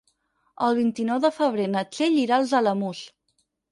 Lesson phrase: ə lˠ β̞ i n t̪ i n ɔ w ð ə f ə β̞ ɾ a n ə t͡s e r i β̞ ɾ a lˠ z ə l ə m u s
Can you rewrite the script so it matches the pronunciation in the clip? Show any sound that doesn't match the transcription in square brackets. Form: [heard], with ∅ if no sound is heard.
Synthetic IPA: ə lˠ β̞ i n t̪ i n ɔ w ð ə f ə β̞ ɾ [e] n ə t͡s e [ʎ] i [∅] ɾ a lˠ z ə l ə m u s